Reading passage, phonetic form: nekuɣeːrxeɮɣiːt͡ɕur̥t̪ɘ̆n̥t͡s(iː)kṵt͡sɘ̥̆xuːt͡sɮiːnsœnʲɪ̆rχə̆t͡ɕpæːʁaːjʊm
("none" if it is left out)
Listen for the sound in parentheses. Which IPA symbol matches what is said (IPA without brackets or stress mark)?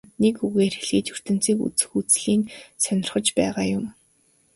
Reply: iː